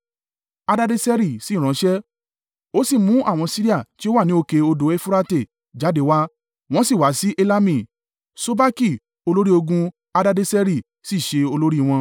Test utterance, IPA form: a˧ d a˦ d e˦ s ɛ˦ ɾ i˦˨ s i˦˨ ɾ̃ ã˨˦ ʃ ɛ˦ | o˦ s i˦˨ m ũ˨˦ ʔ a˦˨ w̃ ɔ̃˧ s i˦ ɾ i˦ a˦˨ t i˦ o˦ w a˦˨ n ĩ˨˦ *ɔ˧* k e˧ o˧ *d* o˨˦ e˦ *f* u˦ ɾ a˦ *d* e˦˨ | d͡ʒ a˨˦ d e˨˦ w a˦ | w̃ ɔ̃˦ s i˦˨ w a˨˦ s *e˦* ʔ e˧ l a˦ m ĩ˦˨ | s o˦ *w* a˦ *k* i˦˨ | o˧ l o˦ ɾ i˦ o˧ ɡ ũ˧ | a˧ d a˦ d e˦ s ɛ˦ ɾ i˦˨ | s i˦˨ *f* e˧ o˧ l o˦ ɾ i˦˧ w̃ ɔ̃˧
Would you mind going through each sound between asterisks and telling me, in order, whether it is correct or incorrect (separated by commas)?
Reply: incorrect, correct, correct, incorrect, incorrect, incorrect, correct, incorrect